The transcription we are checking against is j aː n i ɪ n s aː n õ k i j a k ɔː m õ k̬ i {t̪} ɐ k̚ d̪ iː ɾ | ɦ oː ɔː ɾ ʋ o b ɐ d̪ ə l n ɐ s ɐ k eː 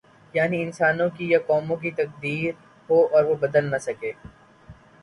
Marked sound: correct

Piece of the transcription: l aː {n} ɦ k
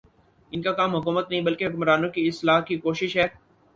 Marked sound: incorrect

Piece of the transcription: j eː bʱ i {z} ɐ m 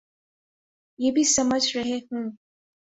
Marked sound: incorrect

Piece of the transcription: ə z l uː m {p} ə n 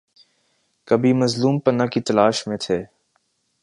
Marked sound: correct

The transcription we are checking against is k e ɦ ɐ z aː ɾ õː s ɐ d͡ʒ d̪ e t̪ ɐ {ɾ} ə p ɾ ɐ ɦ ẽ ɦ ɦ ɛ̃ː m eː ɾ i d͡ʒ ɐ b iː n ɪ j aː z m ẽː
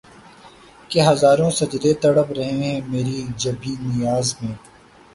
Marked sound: incorrect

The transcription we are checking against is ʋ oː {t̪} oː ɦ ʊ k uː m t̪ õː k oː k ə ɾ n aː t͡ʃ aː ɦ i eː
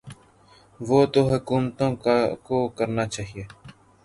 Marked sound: correct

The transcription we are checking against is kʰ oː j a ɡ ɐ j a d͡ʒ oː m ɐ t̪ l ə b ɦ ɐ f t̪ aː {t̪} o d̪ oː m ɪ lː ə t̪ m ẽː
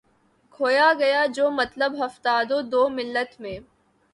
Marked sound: incorrect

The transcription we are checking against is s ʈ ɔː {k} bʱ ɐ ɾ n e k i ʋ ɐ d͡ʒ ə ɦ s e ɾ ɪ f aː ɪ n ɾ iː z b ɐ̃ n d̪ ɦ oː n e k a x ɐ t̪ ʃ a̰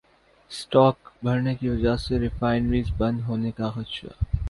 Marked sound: correct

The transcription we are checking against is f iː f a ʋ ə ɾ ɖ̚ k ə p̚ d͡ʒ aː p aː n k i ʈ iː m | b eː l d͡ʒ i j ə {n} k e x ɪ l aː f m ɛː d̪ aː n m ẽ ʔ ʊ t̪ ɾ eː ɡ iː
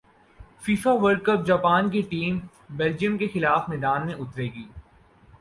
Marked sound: incorrect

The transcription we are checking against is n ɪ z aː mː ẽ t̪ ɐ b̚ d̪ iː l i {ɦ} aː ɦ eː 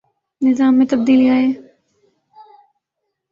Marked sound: incorrect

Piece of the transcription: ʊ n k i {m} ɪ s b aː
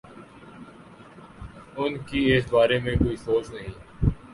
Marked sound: incorrect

